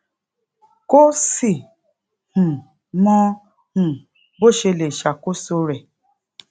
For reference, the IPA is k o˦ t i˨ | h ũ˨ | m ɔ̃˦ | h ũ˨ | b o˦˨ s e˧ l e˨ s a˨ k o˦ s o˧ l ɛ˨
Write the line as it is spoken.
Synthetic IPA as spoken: k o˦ s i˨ | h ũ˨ | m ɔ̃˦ | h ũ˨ | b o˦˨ ʃ e˧ l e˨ ʃ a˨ k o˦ s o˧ ɾ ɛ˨